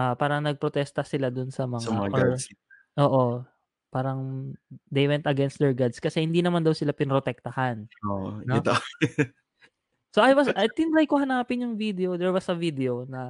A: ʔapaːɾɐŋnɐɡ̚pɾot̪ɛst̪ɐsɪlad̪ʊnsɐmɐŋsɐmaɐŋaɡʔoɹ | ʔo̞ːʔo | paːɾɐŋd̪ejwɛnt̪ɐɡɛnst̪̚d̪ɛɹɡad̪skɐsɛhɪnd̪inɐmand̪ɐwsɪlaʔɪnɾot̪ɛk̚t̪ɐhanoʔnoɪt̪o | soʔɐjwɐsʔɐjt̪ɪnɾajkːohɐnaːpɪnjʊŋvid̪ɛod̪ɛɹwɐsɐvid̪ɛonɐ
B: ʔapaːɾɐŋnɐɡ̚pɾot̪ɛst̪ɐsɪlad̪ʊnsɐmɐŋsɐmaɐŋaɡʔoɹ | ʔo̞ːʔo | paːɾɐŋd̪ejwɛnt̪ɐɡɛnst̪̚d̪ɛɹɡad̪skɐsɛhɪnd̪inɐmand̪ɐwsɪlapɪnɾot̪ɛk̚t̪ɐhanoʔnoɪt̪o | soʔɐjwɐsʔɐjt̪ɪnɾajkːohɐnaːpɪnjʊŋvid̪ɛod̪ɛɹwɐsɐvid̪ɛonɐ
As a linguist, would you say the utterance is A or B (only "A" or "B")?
B